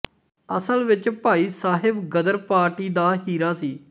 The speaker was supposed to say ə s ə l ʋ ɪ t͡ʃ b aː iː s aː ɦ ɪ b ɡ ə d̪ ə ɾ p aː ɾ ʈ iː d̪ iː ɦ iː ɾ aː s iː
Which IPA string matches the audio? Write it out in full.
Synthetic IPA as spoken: ə s ə l ʋ ɪ t͡ʃ p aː iː s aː ɦ ɪ b ɡ ə d̪ ə ɾ p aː ɾ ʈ iː d̪ aː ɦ iː ɾ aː s iː